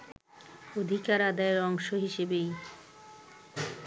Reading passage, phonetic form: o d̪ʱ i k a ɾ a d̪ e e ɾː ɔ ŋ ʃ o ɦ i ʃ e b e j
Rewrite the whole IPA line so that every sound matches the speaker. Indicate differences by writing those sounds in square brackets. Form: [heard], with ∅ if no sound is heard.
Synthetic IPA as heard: o d̪ʱ i k a ɾ a d̪ [a] e [ɾ] ɔ ŋ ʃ o ɦ i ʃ e b e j